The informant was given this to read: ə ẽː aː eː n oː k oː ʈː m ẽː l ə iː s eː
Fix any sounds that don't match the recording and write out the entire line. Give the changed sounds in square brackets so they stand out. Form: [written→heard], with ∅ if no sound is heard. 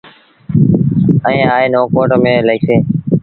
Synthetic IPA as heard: ə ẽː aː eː n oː k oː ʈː m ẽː l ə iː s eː

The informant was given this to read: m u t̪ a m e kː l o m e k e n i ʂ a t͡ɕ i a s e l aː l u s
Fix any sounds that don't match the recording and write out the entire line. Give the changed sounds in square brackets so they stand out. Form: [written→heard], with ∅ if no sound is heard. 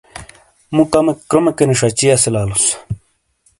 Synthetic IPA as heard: m u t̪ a m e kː [l→ɾ] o m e k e n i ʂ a t͡ɕ i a s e l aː l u s

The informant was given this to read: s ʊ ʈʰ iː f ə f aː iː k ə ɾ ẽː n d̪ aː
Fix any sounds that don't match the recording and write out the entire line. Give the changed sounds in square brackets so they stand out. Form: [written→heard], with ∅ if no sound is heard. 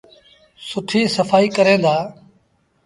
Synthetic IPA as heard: s ʊ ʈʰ iː [f→s] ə f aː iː k ə ɾ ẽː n d̪ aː

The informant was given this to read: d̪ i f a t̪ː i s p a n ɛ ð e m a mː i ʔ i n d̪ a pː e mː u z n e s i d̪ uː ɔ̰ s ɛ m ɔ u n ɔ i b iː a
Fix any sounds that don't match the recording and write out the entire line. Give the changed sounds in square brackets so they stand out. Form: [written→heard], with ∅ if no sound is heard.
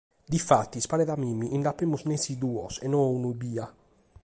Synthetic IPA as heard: d̪ i f a t̪ː i s p a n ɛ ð [e→a] m [a→i] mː i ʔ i n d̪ a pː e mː u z n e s i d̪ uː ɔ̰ s ɛ [m→n] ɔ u n [ɔ→u] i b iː a

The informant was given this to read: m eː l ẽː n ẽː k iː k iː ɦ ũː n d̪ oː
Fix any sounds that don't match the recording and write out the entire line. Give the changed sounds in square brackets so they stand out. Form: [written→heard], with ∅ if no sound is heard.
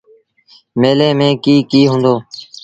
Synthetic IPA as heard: m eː l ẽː [n→m] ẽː k iː k iː ɦ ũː n d̪ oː

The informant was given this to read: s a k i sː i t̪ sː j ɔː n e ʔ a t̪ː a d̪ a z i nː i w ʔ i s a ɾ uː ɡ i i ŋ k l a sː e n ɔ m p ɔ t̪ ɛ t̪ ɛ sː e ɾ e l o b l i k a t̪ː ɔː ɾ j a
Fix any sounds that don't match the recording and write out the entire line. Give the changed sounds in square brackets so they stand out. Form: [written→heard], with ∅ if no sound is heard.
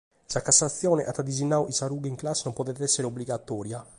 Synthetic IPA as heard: s a k [i→a] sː [i→a] t̪ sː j ɔː n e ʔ a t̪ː a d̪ [a→i] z i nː [i→a] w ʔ i s a ɾ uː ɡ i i ŋ k l a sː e n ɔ m p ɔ t̪ ɛ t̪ ɛ sː e ɾ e [l→∅] o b l i [k→ɡ] a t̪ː ɔː ɾ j a

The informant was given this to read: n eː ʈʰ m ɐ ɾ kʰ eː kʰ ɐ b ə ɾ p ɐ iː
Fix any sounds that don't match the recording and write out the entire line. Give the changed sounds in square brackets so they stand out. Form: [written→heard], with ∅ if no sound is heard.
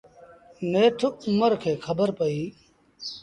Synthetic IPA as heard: n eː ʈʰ m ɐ ɾ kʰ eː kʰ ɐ b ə ɾ p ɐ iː

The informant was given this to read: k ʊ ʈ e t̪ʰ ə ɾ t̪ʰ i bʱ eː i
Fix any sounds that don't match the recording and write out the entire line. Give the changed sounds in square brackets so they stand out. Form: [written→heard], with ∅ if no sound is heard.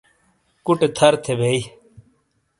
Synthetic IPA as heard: k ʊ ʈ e t̪ʰ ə ɾ t̪ʰ [i→e] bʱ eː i

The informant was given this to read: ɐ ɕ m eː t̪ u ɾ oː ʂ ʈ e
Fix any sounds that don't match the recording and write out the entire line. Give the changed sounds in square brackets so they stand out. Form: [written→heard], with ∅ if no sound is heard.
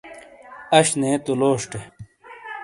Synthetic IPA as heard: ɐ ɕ [m→n] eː t̪ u [ɾ→l] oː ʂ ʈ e

